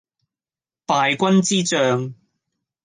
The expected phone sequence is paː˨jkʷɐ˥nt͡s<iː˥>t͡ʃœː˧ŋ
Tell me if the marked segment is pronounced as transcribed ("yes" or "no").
yes